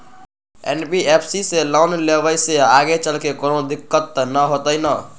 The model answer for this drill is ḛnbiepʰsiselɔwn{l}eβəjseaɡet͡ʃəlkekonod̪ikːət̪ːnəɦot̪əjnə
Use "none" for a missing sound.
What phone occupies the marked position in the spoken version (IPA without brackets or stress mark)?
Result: l